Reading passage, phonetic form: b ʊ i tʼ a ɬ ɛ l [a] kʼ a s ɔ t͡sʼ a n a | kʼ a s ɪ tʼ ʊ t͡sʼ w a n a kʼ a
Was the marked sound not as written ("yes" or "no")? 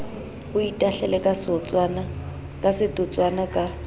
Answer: yes